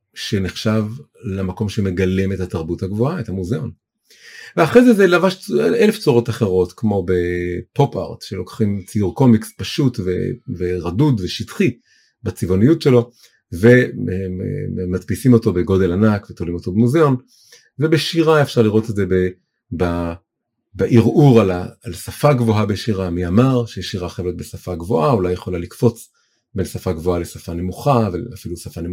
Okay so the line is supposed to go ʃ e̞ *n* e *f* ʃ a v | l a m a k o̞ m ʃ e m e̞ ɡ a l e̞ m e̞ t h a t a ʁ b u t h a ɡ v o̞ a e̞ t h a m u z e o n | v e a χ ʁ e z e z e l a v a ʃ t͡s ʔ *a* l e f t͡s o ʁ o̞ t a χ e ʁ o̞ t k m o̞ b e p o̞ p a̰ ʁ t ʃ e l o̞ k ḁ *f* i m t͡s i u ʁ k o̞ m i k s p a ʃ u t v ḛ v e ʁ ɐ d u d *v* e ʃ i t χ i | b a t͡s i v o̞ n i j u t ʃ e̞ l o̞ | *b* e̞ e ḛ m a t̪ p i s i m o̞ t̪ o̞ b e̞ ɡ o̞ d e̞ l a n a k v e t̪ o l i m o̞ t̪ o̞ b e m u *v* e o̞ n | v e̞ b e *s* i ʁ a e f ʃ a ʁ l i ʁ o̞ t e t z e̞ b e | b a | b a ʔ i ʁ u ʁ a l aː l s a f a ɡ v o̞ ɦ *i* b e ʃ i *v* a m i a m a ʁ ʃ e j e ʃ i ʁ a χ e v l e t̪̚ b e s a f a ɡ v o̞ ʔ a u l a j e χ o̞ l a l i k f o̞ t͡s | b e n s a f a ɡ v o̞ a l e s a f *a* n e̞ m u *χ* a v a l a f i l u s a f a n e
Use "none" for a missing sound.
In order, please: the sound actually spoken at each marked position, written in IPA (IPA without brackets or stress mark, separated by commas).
n, χ, e, χ, v, v, z, ʃ, a, ʁ, a, χ